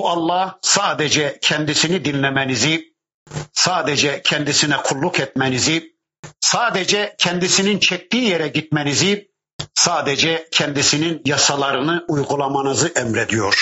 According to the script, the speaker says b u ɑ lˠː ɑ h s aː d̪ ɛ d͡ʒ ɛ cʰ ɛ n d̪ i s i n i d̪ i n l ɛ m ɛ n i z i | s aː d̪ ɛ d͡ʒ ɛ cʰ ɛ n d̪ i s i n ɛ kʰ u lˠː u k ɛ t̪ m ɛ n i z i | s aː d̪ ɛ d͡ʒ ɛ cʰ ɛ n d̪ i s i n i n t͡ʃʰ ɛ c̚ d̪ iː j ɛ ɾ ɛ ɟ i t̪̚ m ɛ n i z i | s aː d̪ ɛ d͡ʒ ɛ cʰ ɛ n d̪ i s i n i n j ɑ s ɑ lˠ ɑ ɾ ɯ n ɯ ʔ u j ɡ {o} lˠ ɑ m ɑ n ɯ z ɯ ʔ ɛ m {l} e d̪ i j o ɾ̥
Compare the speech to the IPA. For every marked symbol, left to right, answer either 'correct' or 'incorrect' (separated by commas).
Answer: incorrect, incorrect